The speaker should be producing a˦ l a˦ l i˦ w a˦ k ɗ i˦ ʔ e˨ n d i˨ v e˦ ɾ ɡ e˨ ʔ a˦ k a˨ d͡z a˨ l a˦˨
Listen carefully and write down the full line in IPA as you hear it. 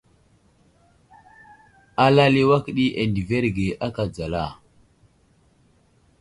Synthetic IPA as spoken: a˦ l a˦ l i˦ w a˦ k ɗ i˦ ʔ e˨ n d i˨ v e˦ ɾ ɡ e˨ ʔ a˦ k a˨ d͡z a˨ l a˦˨